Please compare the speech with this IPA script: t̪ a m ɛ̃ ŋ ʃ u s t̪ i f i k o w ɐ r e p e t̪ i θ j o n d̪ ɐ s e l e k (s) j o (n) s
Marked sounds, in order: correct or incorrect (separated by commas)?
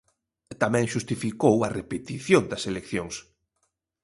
incorrect, incorrect